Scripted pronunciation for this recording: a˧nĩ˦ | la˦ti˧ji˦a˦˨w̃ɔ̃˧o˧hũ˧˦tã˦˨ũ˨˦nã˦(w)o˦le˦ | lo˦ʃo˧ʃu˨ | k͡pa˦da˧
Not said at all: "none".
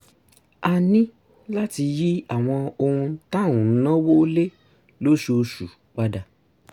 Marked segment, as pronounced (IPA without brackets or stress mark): w